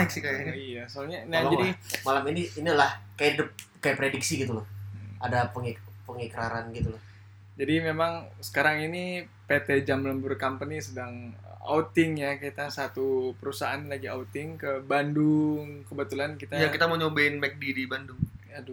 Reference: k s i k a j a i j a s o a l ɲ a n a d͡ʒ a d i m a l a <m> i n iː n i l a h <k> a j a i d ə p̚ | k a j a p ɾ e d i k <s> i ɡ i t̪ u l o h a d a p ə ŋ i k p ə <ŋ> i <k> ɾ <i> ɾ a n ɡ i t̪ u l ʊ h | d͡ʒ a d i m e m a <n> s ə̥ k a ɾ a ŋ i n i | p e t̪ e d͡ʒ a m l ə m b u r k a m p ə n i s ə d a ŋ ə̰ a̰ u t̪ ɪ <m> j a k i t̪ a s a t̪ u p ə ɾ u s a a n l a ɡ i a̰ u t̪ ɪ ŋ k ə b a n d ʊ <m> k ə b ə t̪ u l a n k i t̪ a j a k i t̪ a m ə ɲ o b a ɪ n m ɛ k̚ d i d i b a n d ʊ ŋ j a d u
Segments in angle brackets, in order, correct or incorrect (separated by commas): correct, correct, correct, correct, correct, incorrect, incorrect, incorrect, incorrect